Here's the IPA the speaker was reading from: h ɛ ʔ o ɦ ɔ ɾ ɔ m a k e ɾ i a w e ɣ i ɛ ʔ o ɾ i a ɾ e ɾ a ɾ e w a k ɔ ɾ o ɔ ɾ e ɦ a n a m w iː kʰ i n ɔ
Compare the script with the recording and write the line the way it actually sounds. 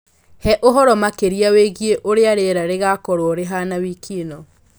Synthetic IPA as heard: h ɛ ʔ o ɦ ɔ ɾ ɔ m a k e ɾ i a w e ɣ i e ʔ o ɾ e a ɾ e ɾ a ɾ e ɣ a k ɔ ɾ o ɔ ɾ e ɦ a n a w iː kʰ i n ɔ